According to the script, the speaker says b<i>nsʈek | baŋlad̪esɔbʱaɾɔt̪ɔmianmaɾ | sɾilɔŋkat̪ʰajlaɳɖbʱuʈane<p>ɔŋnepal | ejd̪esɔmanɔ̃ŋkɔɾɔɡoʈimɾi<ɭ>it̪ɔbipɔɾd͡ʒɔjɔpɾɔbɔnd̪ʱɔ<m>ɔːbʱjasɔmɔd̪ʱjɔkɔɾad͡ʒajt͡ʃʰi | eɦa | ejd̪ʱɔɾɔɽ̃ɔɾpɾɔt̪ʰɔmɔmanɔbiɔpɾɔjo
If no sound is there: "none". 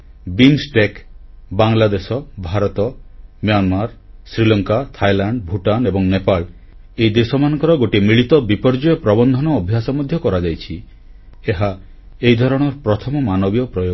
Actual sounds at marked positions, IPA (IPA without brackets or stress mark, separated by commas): i, b, ɭ, n